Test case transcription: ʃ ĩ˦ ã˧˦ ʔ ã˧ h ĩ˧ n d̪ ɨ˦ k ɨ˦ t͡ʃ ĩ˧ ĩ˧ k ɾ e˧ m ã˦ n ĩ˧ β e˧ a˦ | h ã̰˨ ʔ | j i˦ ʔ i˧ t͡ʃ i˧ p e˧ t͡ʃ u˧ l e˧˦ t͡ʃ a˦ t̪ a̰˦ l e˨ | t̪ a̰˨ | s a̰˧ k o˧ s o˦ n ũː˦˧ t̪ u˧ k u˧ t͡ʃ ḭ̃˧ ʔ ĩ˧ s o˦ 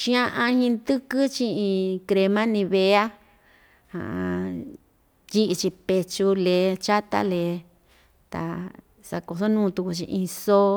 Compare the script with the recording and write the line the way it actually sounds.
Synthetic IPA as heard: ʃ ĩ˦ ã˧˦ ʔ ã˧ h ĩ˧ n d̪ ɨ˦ k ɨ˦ t͡ʃ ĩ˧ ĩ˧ k ɾ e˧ m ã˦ n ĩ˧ β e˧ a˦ | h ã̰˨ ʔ | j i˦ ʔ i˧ t͡ʃ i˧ p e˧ t͡ʃ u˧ l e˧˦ t͡ʃ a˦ t̪ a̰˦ l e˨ | t̪ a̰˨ | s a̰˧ k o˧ s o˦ n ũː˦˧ t̪ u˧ k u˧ t͡ʃ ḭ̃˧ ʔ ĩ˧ s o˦